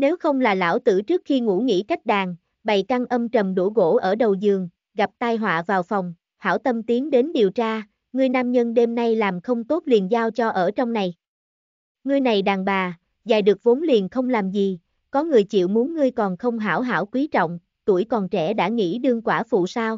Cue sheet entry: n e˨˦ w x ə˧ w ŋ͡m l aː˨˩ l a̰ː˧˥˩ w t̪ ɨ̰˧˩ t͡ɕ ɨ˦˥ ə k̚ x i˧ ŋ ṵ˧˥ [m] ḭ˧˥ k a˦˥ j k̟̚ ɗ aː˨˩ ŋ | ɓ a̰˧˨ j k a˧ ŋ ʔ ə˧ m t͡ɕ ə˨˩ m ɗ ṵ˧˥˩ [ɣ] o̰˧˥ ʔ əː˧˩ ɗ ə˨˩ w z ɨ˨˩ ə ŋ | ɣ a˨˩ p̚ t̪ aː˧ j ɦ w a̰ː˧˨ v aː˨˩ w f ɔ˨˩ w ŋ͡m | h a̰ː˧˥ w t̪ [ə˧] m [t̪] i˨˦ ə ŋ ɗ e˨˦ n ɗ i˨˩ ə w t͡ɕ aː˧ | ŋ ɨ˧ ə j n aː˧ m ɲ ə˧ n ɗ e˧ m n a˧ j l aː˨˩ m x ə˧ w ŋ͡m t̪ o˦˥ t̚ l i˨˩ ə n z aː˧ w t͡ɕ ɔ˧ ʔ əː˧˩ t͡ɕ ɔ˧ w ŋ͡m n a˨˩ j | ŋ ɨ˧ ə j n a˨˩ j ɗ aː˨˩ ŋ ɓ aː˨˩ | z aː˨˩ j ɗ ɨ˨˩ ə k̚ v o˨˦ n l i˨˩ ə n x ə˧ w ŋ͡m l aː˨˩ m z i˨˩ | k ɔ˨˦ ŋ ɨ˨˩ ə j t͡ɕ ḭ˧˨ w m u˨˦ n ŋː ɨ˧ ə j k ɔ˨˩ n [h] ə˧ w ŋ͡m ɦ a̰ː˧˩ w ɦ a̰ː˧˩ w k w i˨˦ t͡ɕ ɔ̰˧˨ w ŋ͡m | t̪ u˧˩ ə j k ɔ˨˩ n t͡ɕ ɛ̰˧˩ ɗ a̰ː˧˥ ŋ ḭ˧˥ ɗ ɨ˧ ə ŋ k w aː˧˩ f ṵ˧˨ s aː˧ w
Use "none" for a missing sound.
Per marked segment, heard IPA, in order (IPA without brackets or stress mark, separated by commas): ŋ, ɣ, ə˧, t̪, x